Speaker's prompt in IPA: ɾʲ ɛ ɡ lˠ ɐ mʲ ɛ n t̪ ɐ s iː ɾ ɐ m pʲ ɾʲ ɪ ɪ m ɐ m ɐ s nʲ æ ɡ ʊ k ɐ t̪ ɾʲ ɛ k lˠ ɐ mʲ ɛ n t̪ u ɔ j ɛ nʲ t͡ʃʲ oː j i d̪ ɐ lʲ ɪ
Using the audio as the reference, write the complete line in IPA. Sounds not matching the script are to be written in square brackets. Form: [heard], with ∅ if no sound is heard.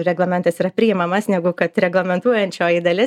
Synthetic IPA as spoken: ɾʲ ɛ ɡ lˠ ɐ mʲ ɛ n t̪ ɐ s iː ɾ ɐ [∅] pʲ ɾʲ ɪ ɪ m ɐ m ɐ s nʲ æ ɡ ʊ k ɐ t̪ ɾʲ ɛ [ɡ] lˠ ɐ mʲ ɛ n t̪ u ɔ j ɛ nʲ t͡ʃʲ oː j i d̪ ɐ lʲ ɪ